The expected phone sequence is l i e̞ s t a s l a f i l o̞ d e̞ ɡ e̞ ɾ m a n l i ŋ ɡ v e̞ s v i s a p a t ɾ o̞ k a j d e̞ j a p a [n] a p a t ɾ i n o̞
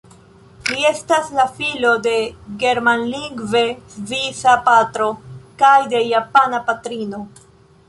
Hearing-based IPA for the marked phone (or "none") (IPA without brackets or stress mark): n